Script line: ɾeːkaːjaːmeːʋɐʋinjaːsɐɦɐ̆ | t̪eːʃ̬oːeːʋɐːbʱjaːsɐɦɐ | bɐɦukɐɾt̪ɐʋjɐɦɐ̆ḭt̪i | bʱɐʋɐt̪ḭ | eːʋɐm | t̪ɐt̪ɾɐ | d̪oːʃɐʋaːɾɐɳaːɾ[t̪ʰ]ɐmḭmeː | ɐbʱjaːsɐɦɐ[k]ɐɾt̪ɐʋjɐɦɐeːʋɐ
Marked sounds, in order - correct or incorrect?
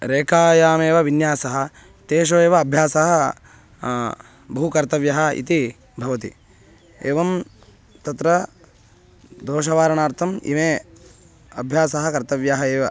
correct, correct

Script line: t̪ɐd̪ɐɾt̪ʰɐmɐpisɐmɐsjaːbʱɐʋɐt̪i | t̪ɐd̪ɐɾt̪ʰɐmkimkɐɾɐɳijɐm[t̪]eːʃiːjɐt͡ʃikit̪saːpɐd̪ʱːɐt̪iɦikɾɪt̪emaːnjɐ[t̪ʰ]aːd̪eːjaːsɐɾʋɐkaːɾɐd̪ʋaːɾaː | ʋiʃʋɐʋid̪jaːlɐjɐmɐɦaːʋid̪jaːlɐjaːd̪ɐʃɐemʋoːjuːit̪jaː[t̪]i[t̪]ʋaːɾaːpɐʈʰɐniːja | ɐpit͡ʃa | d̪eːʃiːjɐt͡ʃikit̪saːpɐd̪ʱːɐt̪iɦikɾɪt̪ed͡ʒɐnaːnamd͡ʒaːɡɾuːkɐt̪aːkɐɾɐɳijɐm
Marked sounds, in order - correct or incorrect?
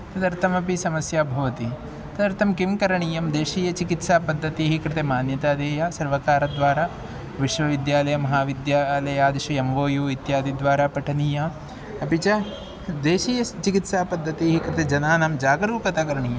incorrect, incorrect, incorrect, incorrect

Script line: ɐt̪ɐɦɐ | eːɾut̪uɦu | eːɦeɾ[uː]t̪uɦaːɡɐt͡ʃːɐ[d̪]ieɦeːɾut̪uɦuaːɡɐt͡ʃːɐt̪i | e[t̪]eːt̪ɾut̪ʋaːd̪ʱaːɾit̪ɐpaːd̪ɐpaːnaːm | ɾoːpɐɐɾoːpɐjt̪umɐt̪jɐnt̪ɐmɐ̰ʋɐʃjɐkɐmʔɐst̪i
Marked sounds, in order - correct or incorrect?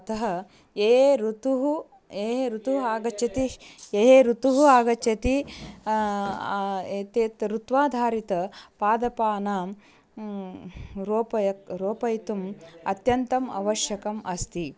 incorrect, incorrect, correct

